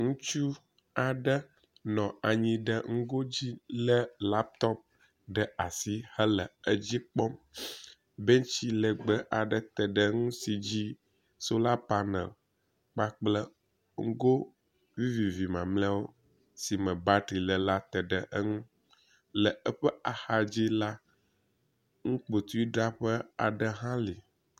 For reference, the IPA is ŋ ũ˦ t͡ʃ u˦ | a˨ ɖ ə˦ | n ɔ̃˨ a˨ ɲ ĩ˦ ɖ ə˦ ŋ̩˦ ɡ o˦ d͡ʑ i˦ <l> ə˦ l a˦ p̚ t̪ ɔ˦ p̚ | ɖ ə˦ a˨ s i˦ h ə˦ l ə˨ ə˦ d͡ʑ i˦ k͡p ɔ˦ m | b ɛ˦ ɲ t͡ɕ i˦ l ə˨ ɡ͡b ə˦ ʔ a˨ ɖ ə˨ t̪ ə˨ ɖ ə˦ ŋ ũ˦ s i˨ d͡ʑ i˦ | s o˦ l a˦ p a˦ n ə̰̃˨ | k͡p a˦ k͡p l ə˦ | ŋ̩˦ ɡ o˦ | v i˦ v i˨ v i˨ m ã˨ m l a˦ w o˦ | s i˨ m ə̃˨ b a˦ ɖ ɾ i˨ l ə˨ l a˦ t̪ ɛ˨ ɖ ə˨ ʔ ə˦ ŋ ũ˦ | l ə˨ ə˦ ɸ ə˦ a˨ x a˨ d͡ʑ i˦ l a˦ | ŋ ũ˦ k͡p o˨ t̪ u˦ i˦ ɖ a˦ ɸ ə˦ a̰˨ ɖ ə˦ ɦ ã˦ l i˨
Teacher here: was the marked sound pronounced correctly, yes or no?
yes